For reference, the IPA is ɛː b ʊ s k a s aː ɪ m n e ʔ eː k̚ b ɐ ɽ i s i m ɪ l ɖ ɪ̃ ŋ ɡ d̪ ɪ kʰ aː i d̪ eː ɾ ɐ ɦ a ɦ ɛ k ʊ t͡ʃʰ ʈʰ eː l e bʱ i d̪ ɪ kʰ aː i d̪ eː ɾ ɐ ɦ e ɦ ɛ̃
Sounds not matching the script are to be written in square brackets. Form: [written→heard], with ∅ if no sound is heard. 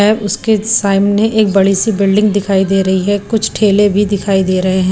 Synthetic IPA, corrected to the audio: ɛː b ʊ s k [a→e] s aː ɪ m n e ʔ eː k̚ b ɐ ɽ i s i [m→b] ɪ l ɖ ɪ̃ ŋ ɡ d̪ ɪ kʰ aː i d̪ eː ɾ ɐ ɦ [a→i] ɦ ɛ k ʊ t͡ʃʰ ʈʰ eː l e bʱ i d̪ ɪ kʰ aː i d̪ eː ɾ ɐ ɦ e ɦ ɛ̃